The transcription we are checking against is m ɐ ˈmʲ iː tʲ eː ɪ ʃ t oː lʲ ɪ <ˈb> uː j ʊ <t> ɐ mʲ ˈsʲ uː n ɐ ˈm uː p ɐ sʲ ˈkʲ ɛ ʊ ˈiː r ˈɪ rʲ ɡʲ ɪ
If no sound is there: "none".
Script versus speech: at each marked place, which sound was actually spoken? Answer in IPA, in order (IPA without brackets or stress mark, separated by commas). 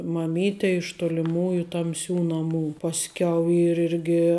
m, t